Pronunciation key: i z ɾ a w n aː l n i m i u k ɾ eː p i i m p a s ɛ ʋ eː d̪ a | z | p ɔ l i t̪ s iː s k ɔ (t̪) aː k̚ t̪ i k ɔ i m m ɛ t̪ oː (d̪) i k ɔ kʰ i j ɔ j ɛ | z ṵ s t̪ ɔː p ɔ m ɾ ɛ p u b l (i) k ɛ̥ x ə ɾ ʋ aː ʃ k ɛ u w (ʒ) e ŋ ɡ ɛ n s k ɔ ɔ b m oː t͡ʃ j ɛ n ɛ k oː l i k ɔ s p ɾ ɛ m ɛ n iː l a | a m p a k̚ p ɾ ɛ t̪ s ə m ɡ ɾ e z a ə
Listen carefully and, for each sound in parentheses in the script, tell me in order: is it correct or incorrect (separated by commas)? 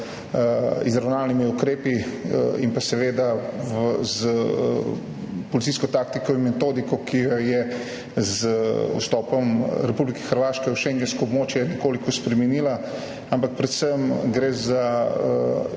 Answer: correct, correct, correct, incorrect